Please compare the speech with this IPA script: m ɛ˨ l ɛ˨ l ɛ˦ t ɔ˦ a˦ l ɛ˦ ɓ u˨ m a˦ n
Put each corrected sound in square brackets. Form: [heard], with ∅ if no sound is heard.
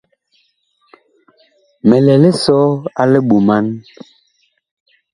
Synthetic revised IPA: m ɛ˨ l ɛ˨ l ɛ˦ [s] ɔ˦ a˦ l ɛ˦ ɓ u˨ m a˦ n